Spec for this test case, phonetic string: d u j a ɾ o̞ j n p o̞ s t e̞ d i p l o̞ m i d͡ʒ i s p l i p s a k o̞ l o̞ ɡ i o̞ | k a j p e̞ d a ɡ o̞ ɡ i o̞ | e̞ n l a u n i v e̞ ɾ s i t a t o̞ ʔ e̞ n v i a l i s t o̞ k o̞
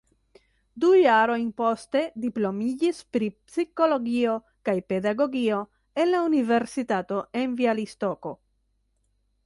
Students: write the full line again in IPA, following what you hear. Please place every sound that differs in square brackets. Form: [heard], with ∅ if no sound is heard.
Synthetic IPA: d u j a ɾ o̞ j n p o̞ s t e̞ d i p l o̞ m i d͡ʒ i s p [ɾ] i p s [i] k o̞ l o̞ ɡ i o̞ | k a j p e̞ d a ɡ o̞ ɡ i o̞ | e̞ n l a u n i v e̞ ɾ s i t a t o̞ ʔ e̞ n v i a l i s t o̞ k o̞